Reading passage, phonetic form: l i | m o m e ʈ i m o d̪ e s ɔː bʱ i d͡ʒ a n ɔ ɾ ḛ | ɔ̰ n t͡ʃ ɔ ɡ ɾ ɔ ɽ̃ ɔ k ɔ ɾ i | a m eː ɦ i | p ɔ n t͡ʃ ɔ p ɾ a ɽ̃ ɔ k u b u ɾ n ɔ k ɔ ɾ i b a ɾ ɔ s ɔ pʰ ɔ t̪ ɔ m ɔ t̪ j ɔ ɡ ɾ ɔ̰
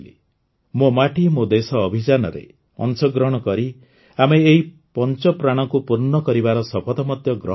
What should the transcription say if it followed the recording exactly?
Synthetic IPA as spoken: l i | m o m a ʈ i m o d̪ e s ɔː bʱ i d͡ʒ a n ɔ ɾ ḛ | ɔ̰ n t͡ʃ ɔ ɡ ɾ ɔ ɽ̃ ɔ k ɔ ɾ i | a m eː ɦ i | p ɔ n t͡ʃ ɔ p ɾ a ɽ̃ ɔ k u p u ɾ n ɔ k ɔ ɾ i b a ɾ ɔ s ɔ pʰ ɔ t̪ ɔ m ɔ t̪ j ɔ ɡ ɾ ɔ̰